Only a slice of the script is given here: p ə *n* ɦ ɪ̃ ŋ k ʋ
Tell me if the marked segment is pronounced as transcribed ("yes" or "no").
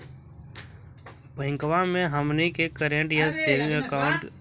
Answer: no